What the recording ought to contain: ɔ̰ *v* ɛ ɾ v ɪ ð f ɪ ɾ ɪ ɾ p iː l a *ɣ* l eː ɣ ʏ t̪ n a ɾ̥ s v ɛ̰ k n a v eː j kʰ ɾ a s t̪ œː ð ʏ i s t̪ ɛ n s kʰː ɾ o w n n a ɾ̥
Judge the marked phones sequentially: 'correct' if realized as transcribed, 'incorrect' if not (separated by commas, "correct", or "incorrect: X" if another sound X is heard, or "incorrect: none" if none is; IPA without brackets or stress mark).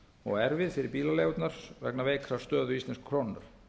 incorrect: ɣ, incorrect: none